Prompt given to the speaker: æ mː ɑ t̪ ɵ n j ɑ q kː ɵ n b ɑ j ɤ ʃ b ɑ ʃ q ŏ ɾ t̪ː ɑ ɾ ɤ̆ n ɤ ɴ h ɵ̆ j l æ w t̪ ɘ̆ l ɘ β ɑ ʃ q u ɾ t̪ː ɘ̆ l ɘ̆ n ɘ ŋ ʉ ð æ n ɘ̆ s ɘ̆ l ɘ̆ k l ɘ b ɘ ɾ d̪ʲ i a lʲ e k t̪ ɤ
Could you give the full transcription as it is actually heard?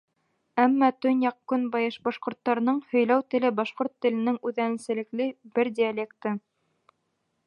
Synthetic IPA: æ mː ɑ t̪ ɵ n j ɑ q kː ɵ n b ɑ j ɤ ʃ b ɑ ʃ q ŏ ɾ t̪ː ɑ ɾ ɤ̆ n ɤ ɴ h ɵ̆ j l æ w t̪ ɘ̆ l ɘ b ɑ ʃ q o ɾ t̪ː ɘ̆ l ɘ̆ n ɘ ŋ ʉ ð æ n ɘ̆ s ɘ̆ l ɘ̆ k l ɘ b ɘ ɾ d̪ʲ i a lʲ e k t̪ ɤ